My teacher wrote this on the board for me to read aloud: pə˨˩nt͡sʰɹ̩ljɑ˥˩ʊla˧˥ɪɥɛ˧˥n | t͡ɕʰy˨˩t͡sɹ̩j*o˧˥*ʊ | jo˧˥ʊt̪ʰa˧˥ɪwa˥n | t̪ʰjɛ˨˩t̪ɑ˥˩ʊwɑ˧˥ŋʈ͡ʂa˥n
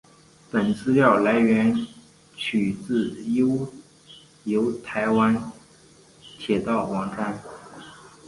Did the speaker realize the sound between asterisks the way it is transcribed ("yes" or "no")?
no